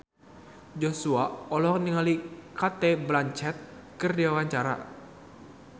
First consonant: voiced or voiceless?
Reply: voiced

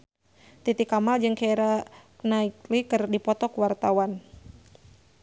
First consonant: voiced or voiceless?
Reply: voiceless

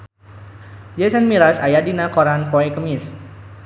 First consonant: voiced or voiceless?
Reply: voiced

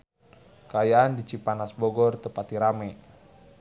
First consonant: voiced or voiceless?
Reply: voiceless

